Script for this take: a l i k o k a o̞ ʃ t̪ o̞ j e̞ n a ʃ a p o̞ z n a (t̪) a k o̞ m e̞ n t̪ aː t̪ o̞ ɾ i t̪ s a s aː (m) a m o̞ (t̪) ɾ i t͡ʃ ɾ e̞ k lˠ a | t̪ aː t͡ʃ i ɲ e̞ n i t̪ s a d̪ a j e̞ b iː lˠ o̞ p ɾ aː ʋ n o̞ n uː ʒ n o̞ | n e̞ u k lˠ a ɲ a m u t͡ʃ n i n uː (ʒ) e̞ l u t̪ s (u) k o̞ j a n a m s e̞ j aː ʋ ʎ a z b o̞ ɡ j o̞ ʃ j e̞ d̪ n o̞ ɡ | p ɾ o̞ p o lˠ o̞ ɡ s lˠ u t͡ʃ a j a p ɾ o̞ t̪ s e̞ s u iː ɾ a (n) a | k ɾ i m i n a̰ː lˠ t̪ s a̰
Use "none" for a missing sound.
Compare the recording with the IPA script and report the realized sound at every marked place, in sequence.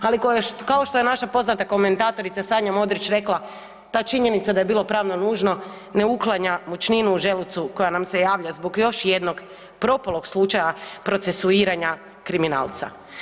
t̪, ɲ, d̪, ʒ, u, ɲ

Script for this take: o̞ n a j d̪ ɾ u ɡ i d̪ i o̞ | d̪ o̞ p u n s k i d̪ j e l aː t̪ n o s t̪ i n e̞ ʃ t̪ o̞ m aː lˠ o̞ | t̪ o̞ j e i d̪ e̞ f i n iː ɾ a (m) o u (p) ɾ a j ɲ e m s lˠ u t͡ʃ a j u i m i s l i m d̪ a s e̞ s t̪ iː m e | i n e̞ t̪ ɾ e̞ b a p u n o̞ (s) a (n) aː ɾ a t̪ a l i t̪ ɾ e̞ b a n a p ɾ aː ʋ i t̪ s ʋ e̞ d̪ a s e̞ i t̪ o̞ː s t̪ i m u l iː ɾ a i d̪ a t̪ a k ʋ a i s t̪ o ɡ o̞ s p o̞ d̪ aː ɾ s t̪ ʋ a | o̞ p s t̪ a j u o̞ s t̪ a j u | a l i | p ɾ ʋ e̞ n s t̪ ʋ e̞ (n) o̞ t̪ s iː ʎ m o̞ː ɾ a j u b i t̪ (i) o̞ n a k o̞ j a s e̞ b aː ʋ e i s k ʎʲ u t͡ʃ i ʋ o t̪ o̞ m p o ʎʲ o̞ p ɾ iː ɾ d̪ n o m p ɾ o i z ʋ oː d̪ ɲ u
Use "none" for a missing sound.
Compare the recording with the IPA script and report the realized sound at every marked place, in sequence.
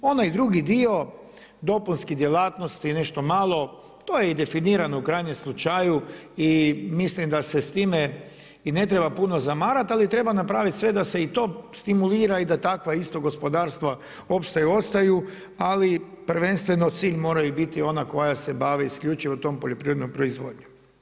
n, k, z, m, n, i

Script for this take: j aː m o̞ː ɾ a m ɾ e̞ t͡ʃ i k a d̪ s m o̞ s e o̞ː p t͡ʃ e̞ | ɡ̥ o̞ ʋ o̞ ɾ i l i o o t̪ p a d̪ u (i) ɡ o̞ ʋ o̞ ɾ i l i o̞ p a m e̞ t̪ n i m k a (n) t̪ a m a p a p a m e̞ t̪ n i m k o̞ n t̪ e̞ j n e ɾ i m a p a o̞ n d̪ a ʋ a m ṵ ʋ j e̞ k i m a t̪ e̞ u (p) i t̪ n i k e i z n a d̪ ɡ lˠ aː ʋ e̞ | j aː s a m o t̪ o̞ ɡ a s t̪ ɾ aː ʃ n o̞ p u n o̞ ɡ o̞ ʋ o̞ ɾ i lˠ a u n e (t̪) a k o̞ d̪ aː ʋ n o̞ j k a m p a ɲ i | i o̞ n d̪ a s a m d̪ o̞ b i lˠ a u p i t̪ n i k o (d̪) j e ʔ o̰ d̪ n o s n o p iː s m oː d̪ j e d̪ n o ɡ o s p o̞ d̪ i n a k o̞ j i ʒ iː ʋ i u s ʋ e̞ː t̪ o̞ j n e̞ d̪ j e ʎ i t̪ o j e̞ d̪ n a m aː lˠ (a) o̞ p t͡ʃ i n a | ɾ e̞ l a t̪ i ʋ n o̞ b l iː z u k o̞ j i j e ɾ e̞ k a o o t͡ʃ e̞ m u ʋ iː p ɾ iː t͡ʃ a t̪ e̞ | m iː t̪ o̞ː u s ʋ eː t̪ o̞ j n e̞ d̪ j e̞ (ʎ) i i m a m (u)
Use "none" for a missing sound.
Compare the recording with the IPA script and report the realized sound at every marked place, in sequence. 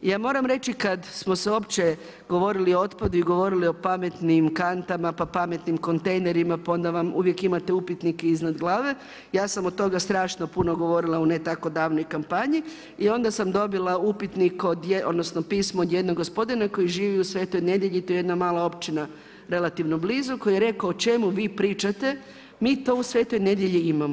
i, n, p, t̪, d̪, a, ʎ, o

